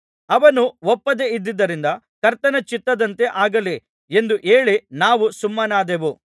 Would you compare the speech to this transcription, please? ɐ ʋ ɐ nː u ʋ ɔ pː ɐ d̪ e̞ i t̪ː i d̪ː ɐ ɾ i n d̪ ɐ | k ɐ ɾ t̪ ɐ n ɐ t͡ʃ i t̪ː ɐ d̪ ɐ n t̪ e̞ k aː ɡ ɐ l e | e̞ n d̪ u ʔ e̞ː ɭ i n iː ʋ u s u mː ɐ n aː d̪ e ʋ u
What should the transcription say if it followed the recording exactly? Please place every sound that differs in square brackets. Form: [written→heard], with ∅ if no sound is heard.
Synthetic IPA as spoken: ɐ ʋ ɐ [nː→n] u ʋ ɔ pː ɐ d̪ e̞ i [t̪ː→d̪ː] i d̪ː ɐ ɾ i n d̪ ɐ | k ɐ ɾ t̪ ɐ n ɐ t͡ʃ i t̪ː ɐ d̪ ɐ n t̪ e̞ [k→ʔ] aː ɡ ɐ l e | e̞ n d̪ u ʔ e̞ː ɭ i n [iː→aː] ʋ u s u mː ɐ n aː d̪ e ʋ u